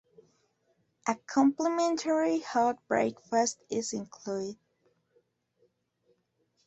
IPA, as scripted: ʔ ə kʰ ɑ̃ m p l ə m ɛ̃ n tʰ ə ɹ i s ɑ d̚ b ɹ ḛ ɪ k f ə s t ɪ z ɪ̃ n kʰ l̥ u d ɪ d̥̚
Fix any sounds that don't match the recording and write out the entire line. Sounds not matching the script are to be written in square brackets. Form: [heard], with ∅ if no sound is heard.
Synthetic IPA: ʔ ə kʰ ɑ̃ m p l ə m ɛ̃ n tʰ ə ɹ i [h] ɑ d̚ b ɹ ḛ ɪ k f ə s t ɪ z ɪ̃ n kʰ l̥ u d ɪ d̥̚